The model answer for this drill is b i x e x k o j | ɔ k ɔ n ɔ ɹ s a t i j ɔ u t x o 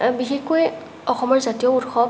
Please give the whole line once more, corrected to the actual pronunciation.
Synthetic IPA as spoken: b i x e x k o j | ɔ x ɔ m ɔ ɹ z a t i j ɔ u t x ɔ